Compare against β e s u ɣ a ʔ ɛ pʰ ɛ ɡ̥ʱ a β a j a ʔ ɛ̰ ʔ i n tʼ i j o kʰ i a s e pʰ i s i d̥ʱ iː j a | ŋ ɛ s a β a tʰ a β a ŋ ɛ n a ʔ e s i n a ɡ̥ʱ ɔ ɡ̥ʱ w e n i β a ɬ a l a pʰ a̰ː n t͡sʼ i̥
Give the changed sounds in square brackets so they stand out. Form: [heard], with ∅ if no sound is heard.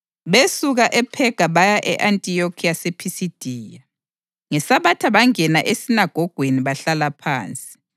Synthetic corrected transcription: β e s u ɣ a ʔ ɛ pʰ ɛ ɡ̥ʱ a β a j a ʔ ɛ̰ ʔ [a] n tʼ i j o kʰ i a s e pʰ i s i d̥ʱ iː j a | ŋ ɛ s a β a tʰ a β a ŋ ɛ n a ʔ e s i n a ɡ̥ʱ ɔ ɡ̥ʱ w e n i β a ɬ a l a pʰ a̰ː n t͡sʼ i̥